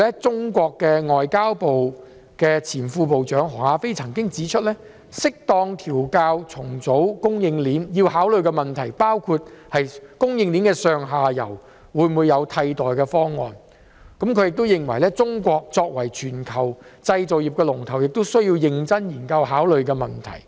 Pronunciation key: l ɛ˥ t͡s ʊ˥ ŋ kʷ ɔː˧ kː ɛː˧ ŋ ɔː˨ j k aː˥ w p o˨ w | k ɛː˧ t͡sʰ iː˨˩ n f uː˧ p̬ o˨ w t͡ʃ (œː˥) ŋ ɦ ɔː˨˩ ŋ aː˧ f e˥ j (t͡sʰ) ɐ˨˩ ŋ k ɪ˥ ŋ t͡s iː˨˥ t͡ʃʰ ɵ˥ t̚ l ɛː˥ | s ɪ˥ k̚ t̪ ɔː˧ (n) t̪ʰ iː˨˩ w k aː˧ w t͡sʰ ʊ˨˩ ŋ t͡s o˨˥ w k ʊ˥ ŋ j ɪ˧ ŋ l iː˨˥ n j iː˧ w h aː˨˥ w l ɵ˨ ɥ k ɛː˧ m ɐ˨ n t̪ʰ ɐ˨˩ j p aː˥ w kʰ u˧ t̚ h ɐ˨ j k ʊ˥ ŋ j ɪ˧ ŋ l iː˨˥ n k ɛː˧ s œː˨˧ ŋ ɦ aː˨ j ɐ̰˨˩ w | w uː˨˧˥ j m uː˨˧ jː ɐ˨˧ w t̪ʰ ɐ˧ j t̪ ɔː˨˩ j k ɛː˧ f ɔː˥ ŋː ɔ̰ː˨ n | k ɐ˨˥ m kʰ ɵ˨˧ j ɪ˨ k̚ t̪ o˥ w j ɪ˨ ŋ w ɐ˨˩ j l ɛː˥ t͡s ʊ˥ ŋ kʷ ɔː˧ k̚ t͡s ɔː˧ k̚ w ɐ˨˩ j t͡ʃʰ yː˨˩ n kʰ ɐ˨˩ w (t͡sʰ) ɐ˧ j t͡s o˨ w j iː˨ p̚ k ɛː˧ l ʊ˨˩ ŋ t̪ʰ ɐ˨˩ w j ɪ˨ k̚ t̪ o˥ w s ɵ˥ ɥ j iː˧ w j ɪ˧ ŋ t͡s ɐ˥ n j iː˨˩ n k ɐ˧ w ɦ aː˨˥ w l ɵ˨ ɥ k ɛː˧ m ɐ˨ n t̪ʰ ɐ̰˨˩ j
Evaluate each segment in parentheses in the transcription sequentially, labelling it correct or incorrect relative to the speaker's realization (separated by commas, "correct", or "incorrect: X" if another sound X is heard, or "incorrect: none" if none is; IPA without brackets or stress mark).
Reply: incorrect: œː˨˥, correct, incorrect: ŋ, incorrect: t͡s